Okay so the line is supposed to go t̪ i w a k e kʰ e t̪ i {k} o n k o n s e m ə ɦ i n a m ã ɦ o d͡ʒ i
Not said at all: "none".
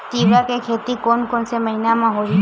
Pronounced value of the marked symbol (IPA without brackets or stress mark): k